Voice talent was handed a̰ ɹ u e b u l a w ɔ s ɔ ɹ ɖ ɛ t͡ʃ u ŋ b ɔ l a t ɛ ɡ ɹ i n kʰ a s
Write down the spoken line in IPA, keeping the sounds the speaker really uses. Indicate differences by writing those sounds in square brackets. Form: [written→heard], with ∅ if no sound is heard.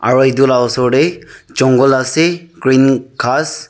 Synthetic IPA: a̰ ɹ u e [b→d] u l a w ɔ s ɔ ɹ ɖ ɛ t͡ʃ [u→ɔ] ŋ [b→ɡ] ɔ l a [t→s] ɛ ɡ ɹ i n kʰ a s